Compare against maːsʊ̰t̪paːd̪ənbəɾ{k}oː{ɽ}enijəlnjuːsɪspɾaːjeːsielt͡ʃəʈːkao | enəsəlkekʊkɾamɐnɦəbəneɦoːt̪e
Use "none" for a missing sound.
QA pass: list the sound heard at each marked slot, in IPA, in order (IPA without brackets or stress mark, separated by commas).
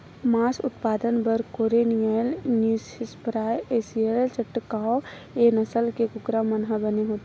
k, ɾ